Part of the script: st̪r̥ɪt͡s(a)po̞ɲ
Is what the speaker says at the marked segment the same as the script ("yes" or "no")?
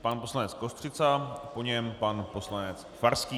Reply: yes